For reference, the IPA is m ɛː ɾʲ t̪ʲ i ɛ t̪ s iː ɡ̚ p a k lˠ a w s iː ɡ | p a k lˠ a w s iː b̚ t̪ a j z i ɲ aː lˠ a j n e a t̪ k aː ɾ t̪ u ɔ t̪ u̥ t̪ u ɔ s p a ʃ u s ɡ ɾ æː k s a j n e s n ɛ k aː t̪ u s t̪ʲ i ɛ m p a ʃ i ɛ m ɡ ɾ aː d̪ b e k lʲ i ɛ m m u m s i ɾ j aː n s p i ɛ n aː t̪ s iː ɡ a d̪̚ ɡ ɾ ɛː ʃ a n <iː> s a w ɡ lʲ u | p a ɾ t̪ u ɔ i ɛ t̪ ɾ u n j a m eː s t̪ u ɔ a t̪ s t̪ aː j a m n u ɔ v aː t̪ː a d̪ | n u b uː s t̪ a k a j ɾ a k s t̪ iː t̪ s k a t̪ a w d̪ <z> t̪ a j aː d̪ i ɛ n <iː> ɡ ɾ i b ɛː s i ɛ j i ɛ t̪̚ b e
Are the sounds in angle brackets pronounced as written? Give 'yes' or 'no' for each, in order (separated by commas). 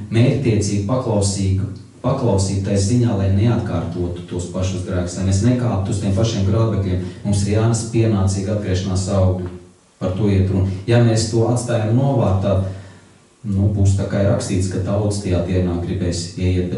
no, no, no